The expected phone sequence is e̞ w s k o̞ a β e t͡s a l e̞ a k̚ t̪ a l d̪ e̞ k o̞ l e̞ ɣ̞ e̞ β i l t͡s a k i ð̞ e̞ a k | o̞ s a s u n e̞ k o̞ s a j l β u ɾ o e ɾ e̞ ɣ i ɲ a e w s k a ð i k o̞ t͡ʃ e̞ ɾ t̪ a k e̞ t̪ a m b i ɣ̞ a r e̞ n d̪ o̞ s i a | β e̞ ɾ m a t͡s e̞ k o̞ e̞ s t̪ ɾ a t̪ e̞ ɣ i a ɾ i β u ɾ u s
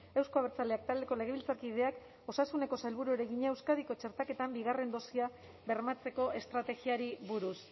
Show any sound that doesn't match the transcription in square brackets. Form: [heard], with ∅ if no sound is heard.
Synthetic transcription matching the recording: e̞ w s k o̞ a β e t͡s a l e̞ a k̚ t̪ a l d̪ e̞ k o̞ l e̞ ɣ̞ e̞ β i l t͡s a k i ð̞ e̞ a k | o̞ s a s u n e̞ k o̞ s a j l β u ɾ [u] e ɾ e̞ ɣ i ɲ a e w s k a ð i k o̞ t͡ʃ e̞ ɾ t̪ a k e̞ t̪ a m b i ɣ̞ a r e̞ n d̪ o̞ s i a | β e̞ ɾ m a t͡s e̞ k o̞ e̞ s t̪ ɾ a t̪ e̞ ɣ i a ɾ i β u ɾ u s